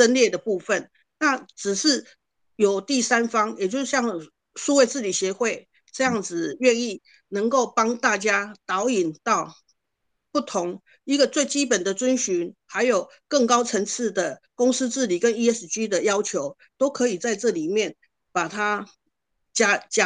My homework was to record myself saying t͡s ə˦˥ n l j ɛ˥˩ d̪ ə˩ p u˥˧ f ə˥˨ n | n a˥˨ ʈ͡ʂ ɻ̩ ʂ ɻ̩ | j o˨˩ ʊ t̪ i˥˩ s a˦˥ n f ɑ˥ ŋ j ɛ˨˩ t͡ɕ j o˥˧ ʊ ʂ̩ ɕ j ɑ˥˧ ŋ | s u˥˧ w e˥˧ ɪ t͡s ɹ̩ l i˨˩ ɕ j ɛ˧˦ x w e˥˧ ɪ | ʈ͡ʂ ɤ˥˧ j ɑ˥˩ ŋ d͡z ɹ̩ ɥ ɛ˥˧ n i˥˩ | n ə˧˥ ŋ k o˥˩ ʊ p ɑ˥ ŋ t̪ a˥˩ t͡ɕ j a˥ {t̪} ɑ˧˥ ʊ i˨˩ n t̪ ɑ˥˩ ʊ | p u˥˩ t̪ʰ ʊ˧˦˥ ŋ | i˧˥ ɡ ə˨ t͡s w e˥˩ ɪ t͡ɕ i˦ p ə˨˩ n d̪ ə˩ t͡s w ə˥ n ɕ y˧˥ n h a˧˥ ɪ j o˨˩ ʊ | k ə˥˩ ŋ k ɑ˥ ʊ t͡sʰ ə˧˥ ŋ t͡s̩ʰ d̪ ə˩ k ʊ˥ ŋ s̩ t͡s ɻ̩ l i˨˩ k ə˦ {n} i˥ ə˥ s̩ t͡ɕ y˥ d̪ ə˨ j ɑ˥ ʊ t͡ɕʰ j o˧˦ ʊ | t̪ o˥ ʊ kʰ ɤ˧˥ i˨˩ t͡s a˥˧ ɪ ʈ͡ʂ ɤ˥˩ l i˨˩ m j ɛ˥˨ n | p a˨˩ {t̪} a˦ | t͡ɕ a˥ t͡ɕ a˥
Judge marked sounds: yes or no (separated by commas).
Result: yes, yes, no